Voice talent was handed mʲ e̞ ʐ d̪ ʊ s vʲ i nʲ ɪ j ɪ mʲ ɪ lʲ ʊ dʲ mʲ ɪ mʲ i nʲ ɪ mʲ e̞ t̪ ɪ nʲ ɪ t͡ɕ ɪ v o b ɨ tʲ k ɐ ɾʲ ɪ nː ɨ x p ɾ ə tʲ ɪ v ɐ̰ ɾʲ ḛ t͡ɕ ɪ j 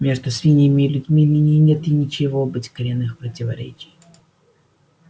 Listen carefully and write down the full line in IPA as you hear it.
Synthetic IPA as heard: mʲ e̞ ʐ d̪ ʊ s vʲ i nʲ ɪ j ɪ mʲ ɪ lʲ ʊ dʲ mʲ i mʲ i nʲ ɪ nʲ e̞ t̪ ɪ nʲ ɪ t͡ɕ ɪ v o b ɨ tʲ k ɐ ɾʲ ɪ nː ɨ x p ɾ ə tʲ ɪ v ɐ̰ ɾʲ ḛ t͡ɕ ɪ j